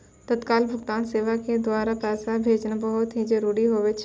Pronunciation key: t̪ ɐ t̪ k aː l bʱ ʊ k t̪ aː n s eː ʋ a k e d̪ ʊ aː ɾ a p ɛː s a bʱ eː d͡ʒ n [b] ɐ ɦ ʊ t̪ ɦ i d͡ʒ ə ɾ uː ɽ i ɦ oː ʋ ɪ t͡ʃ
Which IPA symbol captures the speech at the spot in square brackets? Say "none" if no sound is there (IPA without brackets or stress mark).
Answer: b